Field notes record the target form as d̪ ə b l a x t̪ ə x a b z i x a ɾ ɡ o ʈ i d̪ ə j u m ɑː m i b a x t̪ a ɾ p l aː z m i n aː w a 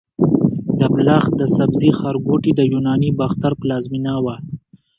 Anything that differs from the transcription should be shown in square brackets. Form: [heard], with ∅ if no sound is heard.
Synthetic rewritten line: d̪ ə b l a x [d̪] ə [s] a b z i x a ɾ ɡ o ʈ i d̪ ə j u [n] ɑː [n] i b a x t̪ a ɾ p l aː z m i n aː w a